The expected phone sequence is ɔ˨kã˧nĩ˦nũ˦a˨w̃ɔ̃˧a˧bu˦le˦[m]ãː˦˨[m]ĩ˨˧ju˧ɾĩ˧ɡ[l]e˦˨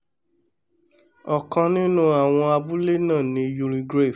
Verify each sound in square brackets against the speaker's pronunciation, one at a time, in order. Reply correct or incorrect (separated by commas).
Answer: incorrect, incorrect, incorrect